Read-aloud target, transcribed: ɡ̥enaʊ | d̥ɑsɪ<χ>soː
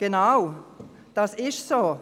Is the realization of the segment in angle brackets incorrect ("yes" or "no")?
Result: yes